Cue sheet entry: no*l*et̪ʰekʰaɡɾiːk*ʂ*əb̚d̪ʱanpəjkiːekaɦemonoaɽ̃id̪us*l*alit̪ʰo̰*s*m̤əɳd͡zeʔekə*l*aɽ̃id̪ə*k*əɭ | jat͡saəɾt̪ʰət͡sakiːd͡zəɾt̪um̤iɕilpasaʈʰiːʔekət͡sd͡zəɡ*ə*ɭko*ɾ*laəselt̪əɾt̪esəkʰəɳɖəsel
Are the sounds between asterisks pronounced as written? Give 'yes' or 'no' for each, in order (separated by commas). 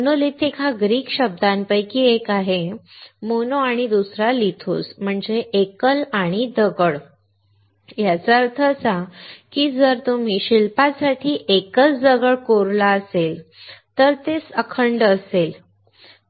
yes, no, no, yes, yes, no, yes, yes